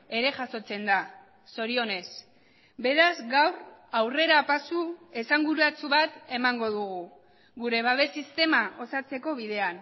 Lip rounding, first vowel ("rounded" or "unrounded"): unrounded